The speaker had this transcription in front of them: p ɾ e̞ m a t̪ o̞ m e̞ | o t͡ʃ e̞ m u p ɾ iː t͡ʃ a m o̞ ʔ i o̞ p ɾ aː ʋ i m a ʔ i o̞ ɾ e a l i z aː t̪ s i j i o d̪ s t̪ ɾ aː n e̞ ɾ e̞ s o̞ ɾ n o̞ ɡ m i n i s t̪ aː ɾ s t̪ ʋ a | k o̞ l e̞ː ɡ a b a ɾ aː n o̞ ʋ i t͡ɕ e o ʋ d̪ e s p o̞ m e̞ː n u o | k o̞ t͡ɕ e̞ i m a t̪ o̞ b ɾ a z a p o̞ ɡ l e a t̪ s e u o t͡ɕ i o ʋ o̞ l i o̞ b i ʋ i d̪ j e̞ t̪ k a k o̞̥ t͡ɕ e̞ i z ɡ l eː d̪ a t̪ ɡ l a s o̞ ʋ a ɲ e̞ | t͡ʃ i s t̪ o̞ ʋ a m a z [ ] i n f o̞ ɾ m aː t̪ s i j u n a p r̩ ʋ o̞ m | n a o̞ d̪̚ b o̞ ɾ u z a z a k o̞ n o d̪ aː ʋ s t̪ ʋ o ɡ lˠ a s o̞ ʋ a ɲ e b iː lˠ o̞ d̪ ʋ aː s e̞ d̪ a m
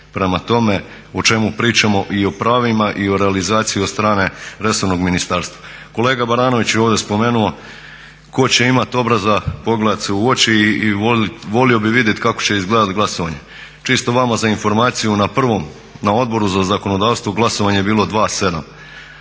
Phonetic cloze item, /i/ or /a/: a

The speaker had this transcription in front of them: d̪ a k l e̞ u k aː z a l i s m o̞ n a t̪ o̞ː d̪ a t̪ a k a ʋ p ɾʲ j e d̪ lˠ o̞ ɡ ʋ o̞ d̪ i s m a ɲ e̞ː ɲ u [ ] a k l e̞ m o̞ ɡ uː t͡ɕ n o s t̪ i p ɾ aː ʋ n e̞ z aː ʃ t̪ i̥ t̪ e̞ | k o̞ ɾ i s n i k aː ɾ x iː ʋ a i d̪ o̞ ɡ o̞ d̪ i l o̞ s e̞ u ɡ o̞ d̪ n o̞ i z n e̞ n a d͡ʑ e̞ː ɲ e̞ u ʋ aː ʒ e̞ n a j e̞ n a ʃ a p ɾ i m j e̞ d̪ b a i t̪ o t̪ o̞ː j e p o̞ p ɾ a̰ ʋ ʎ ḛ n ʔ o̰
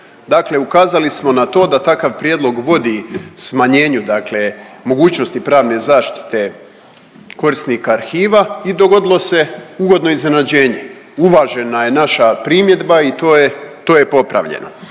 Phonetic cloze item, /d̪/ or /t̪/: d̪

